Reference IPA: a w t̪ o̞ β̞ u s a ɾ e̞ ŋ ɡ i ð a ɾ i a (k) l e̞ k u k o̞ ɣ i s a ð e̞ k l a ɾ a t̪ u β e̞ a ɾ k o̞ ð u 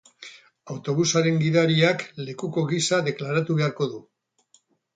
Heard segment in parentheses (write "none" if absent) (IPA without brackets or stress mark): k